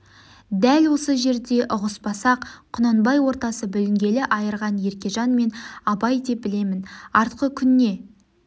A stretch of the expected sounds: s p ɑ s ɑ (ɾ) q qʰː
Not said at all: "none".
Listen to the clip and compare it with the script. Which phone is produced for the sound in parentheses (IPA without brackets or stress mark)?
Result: none